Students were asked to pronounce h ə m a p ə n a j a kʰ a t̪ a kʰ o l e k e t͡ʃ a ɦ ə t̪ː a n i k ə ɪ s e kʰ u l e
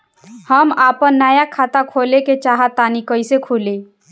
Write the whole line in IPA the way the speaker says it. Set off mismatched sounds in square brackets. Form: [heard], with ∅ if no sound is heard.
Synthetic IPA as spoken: h ə m a p ə [nː] a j a kʰ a t̪ a kʰ o l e k e t͡ʃ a ɦ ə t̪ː a n i k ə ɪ s e kʰ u l e

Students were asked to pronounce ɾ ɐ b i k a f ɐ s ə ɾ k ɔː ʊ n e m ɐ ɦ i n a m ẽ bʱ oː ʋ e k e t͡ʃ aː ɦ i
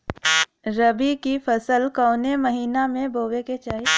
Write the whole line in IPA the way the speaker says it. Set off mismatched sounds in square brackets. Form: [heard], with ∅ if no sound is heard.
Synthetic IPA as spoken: ɾ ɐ b i k [i] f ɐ s ə [l] k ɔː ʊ n e m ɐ ɦ [iː] n a m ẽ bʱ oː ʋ e k e t͡ʃ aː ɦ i

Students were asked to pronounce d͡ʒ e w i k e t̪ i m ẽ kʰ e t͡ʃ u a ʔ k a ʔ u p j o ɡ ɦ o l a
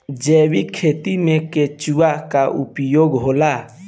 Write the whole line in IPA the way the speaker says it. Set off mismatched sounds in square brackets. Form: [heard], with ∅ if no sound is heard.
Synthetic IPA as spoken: d͡ʒ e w i [kʰ] e t̪ i m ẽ [k] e t͡ʃ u a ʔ k a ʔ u p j o ɡ ɦ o l a

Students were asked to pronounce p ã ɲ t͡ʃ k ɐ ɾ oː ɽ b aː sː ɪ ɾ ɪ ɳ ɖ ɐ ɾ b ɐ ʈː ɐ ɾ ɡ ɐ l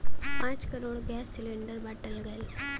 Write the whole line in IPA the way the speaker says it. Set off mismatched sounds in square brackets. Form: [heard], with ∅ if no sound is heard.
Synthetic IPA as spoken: p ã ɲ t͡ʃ k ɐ ɾ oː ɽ [ɡ] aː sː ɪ [l] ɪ ɳ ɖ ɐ ɾ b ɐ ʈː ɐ [l] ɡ ɐ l

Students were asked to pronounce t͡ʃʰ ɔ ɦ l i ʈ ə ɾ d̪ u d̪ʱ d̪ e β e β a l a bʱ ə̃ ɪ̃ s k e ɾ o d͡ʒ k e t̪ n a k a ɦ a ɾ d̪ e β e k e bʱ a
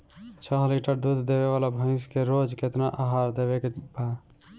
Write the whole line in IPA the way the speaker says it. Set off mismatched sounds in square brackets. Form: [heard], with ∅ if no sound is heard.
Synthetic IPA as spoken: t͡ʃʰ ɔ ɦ l i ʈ ə ɾ d̪ u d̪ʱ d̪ e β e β a l a bʱ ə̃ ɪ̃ s k e ɾ o d͡ʒ k e t̪ n a [ʔ] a ɦ a ɾ d̪ e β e k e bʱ a

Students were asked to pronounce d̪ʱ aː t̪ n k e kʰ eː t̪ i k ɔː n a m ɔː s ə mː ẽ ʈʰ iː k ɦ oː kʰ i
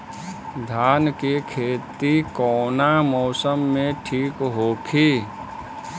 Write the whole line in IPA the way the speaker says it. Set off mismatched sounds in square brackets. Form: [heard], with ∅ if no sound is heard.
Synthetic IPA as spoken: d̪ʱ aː [∅] n k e kʰ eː t̪ i k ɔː n a m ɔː s ə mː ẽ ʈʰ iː k ɦ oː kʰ i

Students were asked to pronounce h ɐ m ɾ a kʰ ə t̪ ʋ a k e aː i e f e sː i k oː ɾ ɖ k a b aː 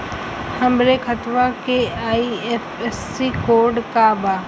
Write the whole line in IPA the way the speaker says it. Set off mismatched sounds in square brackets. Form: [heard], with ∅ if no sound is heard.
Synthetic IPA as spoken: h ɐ m ɾ [e] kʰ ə t̪ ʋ a k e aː i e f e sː i k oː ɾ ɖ k a b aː

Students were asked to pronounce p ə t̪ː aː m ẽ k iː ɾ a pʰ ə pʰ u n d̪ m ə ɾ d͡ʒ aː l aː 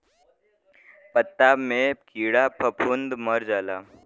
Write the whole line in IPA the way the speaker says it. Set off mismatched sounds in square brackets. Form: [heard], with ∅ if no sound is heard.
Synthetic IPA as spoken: p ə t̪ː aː m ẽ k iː [ɽ] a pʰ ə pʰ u n d̪ m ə ɾ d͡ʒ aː l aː

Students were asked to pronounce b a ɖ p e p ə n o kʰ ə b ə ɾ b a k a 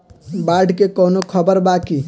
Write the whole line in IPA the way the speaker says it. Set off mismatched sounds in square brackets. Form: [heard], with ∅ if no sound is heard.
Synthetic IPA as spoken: b a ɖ [k] e [k] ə n o kʰ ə b ə ɾ b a k [i]

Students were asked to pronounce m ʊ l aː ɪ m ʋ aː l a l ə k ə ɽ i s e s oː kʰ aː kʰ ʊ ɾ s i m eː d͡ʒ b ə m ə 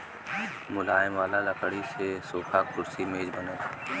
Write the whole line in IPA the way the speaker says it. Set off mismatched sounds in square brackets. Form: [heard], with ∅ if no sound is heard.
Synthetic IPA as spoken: m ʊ l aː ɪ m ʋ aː l a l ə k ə ɽ i s e s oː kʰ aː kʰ ʊ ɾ s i m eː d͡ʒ b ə [n] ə

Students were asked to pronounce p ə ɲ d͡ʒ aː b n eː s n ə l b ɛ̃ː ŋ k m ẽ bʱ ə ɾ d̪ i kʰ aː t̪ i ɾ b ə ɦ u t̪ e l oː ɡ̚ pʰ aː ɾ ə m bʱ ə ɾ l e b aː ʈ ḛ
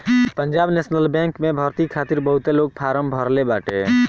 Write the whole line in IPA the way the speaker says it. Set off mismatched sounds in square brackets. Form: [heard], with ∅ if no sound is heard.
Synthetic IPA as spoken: p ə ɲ d͡ʒ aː b n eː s n ə l b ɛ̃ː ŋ k m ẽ bʱ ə ɾ [t̪] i kʰ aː t̪ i ɾ b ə ɦ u t̪ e l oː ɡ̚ pʰ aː ɾ ə m bʱ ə ɾ l e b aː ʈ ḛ

